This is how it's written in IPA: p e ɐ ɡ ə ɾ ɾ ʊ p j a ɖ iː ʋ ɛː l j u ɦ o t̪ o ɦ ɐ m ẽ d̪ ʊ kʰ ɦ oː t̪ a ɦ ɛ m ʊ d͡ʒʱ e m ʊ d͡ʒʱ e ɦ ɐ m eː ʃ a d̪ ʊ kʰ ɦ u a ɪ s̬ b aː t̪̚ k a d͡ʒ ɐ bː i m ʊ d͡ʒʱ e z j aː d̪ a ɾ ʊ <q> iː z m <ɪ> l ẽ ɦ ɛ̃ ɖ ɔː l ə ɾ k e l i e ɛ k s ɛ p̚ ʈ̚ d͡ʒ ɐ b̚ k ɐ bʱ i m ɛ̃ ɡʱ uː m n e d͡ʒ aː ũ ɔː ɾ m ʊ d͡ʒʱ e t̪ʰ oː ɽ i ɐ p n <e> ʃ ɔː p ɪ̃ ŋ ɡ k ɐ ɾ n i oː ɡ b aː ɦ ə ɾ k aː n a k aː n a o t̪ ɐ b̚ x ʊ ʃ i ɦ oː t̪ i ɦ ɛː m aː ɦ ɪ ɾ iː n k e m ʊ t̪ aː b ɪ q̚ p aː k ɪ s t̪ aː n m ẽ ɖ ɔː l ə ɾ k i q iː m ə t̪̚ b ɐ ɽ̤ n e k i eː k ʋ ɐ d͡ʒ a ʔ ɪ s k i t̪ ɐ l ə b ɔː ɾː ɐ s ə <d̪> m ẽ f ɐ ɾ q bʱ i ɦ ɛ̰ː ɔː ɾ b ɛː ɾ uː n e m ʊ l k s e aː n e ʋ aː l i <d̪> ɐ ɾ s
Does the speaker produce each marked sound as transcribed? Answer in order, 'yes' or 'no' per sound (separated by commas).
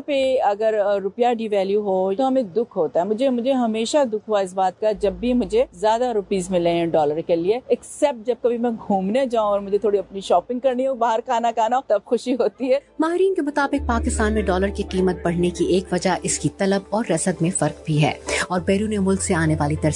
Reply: no, yes, no, yes, no